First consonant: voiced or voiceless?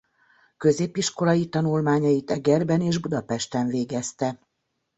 voiceless